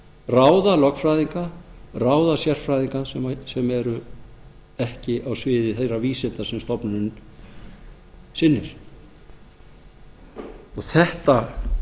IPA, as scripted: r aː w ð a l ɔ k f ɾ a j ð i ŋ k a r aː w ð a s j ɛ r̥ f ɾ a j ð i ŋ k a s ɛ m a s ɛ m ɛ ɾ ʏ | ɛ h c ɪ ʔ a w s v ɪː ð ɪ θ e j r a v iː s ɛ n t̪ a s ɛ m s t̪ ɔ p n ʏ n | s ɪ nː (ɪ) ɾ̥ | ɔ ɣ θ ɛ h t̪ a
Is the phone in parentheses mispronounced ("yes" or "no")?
no